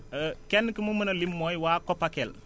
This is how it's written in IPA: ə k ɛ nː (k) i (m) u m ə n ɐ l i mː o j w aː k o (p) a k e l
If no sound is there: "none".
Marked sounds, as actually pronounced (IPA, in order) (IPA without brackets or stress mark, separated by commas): k, m, p